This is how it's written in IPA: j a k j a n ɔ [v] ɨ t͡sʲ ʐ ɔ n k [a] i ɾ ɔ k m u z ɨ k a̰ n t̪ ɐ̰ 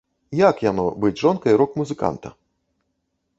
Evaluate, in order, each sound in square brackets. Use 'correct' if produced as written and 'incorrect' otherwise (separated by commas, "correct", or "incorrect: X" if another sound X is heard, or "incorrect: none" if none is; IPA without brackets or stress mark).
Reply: incorrect: b, incorrect: ɐ